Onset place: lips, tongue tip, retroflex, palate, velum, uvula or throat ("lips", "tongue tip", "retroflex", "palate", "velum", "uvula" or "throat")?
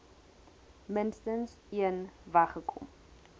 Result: lips